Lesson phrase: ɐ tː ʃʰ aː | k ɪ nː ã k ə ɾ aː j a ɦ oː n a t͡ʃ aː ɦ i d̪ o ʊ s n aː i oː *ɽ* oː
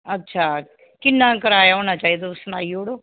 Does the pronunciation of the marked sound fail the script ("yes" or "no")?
no